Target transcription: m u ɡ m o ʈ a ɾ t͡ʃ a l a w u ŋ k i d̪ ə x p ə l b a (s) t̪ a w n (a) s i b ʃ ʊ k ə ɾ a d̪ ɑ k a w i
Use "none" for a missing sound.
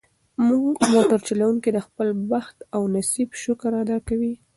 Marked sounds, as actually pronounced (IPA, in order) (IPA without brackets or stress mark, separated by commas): x, a